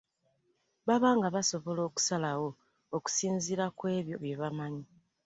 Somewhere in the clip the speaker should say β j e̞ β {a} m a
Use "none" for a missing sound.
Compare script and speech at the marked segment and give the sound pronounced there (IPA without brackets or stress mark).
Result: a